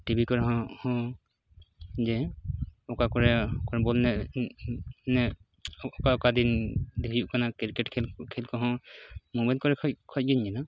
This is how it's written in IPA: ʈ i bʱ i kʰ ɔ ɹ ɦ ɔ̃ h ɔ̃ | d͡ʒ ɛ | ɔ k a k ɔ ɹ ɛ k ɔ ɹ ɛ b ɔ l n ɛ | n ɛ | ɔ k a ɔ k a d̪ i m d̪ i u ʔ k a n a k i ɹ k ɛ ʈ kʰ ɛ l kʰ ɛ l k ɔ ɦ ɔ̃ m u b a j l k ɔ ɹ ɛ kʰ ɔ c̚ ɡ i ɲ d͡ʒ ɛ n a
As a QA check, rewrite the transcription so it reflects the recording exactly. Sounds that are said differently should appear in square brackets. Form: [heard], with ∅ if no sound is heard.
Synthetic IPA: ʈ i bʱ i [k] ɔ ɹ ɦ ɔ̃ h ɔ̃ | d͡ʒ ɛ | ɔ k a k ɔ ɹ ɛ k ɔ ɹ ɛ b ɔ l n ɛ | n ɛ | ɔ k a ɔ k a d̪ i [n] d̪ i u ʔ k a n a k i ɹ k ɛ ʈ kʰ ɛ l kʰ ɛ l k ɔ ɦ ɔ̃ m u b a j l k ɔ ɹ ɛ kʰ ɔ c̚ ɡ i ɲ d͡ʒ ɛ n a